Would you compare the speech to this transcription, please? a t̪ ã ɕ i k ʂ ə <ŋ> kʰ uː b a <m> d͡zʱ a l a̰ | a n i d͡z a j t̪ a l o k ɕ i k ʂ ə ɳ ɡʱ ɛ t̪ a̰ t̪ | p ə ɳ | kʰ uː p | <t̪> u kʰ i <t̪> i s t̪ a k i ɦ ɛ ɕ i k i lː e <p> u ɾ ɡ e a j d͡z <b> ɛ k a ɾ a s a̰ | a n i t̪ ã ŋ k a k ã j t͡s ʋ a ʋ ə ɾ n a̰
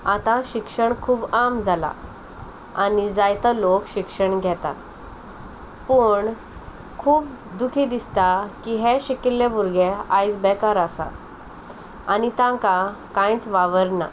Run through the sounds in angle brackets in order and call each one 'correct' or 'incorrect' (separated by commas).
incorrect, correct, incorrect, incorrect, incorrect, correct